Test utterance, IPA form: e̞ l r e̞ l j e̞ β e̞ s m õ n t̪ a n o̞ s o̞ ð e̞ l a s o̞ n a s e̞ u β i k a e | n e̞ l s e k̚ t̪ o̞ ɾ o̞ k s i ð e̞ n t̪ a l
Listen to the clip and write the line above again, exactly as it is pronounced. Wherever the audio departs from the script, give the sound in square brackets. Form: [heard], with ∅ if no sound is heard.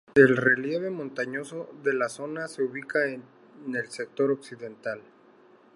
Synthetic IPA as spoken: e̞ l r e̞ l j e̞ β e̞ [∅] m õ n t̪ a [ɲ] o̞ s o̞ ð e̞ l a s o̞ n a s e̞ u β i k a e | n e̞ l s e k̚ t̪ o̞ ɾ o̞ k s i ð e̞ n t̪ a l